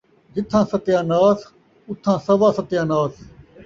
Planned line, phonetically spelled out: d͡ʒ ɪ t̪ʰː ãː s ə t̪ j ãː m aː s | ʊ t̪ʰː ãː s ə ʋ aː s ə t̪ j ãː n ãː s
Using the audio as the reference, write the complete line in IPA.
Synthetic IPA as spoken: d͡ʒ ɪ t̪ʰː ãː s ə t̪ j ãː n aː s | ʊ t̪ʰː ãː s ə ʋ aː s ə t̪ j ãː n aː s

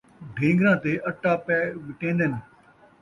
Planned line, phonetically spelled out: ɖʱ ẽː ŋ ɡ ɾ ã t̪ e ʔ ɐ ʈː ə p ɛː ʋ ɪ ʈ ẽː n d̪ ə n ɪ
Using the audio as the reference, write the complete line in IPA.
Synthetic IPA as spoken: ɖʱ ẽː ŋ ɡ ɾ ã t̪ e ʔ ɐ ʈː a p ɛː ʋ ɪ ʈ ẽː n d̪ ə n ɪ

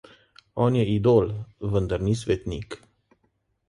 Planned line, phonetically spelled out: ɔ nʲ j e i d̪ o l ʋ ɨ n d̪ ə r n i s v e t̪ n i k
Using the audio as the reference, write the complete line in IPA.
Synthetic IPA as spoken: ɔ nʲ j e i d̪ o l v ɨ n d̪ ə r n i s v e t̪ n i k

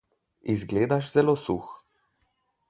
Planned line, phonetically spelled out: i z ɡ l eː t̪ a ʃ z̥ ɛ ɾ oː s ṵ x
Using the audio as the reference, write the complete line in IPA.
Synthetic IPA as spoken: i z ɡ l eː d̪ a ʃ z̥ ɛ l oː s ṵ x

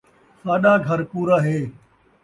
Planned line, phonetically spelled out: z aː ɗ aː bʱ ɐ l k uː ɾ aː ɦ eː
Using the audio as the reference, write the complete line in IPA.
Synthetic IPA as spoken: s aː ɗ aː ɡʱ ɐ ɾ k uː ɾ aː ɦ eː

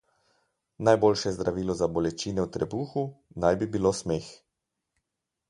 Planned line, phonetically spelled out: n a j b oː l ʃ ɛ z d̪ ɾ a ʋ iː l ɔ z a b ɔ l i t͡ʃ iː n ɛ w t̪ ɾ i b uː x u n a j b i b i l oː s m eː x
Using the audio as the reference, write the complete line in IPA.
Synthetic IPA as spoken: n a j b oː l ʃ ɛ z d̪ ɾ a ʋ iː l ɔ z a b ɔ l ɛ t͡ʃ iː n ɛ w t̪ ɾ ɛ b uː x u n a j b i b i l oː s m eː x

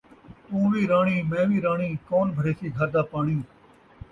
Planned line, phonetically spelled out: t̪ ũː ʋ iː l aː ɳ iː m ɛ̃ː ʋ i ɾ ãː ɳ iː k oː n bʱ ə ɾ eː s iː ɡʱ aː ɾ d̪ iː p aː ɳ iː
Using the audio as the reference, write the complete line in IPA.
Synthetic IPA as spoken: t̪ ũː ʋ iː ɾ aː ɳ iː m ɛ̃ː ʋ iː ɾ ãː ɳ iː k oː n bʱ ə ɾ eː s iː ɡʱ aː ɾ d̪ aː p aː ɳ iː

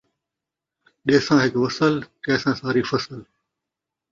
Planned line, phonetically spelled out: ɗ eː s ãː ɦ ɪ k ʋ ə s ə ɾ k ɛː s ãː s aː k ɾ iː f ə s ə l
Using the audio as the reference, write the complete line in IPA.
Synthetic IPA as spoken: ɗ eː s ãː ɦ ɪ k ʋ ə s ə l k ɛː s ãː s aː ɾ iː f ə s ə l

